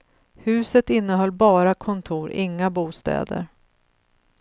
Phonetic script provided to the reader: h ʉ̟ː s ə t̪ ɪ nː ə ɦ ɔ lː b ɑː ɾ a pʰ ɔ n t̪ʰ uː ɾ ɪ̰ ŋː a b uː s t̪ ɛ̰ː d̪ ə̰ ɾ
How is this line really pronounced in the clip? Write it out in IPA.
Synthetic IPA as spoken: h ʉ̟ː s ə t̪ ɪ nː ə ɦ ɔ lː b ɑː ɾ a kʰ ɔ n t̪ʰ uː ɾ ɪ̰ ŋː a b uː s t̪ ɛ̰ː d̪ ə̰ ɾ